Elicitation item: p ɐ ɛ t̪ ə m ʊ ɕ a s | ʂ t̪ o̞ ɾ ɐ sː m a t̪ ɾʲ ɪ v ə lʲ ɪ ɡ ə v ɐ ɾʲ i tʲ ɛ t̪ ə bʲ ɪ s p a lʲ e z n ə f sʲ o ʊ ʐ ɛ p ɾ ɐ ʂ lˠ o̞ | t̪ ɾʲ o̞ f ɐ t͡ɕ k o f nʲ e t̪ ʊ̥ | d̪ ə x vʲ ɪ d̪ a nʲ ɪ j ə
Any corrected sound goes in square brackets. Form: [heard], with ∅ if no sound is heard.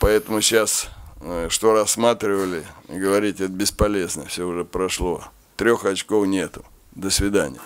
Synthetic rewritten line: p ɐ ɛ t̪ ə m ʊ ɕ a s | ʂ t̪ o̞ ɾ ɐ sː m a t̪ ɾʲ ɪ v ə lʲ ɪ ɡ ə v ɐ ɾʲ i tʲ ɛ t̪ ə bʲ ɪ s p [ɐ] lʲ e z n ə f sʲ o ʊ ʐ ɛ p ɾ ɐ ʂ lˠ o̞ | t̪ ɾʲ o̞ [x] ɐ t͡ɕ k o f nʲ e t̪ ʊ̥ | d̪ ə [s] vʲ ɪ d̪ a nʲ ɪ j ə